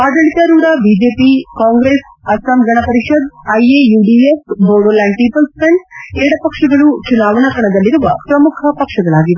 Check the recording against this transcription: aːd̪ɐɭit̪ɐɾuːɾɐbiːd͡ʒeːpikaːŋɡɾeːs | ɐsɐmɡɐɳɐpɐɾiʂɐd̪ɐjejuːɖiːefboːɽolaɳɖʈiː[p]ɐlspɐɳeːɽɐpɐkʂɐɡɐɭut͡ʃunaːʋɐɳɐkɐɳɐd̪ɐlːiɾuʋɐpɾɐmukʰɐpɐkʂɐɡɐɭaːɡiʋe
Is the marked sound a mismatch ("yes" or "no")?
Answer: no